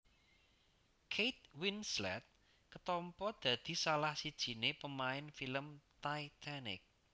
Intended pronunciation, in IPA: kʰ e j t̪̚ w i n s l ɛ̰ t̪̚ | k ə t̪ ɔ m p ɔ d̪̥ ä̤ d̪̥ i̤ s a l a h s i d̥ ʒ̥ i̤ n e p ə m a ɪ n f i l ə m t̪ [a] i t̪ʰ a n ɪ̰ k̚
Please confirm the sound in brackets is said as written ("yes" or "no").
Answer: yes